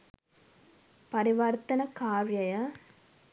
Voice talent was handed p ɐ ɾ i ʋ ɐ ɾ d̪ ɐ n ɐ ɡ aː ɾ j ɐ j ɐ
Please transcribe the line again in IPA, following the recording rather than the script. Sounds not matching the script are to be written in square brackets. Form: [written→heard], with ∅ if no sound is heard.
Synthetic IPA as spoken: p ɐ ɾ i ʋ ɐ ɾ [d̪→t̪] ɐ n ɐ [ɡ→k] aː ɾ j ɐ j ɐ

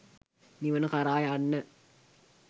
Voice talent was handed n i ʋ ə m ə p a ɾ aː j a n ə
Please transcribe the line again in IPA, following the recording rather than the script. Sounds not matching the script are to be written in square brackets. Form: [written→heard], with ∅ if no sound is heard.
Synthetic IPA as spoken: n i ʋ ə [m→n] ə [p→k] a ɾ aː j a [n→nː] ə

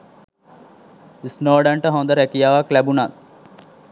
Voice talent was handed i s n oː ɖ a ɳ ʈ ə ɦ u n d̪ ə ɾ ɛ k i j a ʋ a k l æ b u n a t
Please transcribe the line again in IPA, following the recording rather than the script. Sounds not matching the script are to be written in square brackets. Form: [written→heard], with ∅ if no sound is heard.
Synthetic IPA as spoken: i s n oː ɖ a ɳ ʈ ə ɦ [u→o] n d̪ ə ɾ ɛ k i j a ʋ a k l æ b u n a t

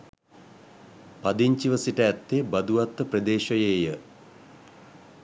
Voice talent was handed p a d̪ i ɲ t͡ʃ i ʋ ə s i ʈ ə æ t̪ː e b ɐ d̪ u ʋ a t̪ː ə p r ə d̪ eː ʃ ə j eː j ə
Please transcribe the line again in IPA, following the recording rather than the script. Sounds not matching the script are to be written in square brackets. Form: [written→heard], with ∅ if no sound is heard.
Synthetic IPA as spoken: p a d̪ i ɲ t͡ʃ i ʋ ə s i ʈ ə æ t̪ː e b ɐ d̪ u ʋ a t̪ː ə p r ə d̪ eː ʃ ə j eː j ə

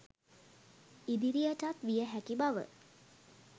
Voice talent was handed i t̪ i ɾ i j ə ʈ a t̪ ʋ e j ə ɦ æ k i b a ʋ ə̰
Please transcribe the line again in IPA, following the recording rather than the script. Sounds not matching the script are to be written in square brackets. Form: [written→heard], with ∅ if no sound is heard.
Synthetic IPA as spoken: i [t̪→d̪] i ɾ i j ə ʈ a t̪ ʋ [e→i] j ə ɦ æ k i b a ʋ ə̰

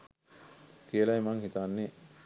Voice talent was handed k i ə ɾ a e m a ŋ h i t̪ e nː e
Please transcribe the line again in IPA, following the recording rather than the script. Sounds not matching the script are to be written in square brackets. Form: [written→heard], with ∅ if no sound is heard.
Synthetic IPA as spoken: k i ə [ɾ→l] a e m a ŋ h i t̪ [e→a] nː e

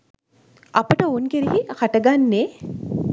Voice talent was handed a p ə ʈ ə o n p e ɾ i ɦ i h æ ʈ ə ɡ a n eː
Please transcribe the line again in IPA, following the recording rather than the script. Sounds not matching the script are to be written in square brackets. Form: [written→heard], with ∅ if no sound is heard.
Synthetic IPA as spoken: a p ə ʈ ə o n [p→k] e ɾ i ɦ i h [æ→a] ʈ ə ɡ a [n→nː] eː

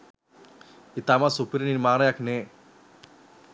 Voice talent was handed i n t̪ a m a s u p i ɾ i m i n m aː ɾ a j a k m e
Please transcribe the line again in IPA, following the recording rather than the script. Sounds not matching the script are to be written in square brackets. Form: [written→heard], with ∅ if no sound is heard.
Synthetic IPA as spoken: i [n→∅] t̪ a m a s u p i ɾ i [m→n] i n m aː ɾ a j a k [m→n] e

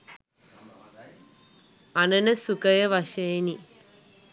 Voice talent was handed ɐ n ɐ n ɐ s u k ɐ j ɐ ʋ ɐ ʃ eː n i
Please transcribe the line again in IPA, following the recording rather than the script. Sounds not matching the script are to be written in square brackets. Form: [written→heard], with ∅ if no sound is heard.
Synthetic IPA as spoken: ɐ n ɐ n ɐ s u k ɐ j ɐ ʋ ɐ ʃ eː n i

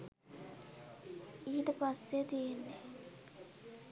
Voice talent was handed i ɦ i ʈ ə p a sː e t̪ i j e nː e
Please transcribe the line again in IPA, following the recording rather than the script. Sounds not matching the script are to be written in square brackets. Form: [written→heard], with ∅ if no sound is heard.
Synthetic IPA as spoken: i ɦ i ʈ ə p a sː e t̪ i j e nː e

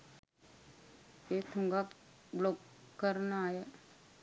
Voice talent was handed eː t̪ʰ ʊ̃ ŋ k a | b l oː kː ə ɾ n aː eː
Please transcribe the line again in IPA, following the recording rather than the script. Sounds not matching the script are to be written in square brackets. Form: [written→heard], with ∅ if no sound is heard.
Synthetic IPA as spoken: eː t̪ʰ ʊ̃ ŋ [k→ɡ] a | b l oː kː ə ɾ n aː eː

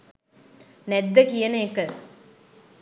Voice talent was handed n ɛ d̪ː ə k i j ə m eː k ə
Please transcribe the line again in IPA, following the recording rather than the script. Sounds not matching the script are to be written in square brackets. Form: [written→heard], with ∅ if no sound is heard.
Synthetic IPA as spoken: n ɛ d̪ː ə k i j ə [m→n] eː k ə

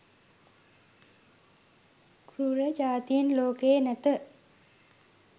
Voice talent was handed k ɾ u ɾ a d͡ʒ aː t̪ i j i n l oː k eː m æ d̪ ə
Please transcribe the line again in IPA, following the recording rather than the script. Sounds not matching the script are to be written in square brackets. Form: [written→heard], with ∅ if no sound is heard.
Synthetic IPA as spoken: k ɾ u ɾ [a→ə] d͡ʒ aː t̪ i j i n l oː k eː [m→n] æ [d̪→t̪] ə

